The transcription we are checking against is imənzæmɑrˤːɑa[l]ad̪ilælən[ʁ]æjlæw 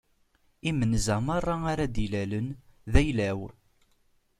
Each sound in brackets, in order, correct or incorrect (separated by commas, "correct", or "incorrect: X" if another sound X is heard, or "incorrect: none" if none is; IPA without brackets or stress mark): incorrect: ɾ, incorrect: ð